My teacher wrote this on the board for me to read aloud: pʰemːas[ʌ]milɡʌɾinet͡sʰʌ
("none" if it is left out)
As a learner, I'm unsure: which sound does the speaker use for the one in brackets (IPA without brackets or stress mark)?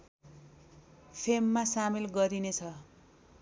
a